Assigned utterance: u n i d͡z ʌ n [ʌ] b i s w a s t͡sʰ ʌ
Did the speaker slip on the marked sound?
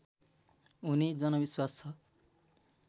no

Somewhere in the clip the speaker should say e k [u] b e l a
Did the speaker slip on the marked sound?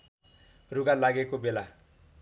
yes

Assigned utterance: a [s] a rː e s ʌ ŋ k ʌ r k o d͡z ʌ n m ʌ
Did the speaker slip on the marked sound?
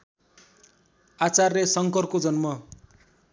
yes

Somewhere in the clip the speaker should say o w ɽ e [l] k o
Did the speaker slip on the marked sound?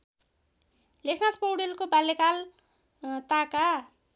no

